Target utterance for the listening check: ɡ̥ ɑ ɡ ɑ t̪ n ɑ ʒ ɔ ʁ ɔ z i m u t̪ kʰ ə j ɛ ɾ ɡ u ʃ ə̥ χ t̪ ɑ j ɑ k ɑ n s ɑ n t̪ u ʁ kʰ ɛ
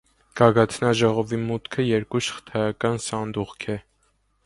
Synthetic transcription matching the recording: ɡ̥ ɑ ɡ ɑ t̪ʰ n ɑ ʒ ɔ ʁ ɔ v i m u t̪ kʰ ə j ɛ ɾ k u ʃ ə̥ χ t̪ʰ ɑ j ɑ k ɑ n s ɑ n d̪ u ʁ kʰ ɛ